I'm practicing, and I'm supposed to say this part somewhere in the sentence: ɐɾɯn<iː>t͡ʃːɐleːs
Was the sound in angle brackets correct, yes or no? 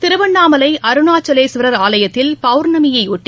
no